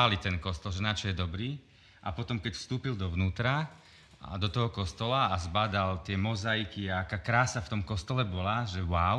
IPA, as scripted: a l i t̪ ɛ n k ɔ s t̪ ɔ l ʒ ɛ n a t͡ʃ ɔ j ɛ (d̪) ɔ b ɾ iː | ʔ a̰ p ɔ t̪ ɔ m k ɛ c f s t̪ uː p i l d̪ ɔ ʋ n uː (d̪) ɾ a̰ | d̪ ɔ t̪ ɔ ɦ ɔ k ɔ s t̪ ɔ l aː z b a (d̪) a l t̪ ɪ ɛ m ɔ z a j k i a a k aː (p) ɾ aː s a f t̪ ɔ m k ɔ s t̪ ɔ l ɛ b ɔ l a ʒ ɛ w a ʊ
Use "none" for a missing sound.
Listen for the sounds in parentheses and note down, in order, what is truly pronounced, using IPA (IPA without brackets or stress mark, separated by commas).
d̪, t̪, d̪, k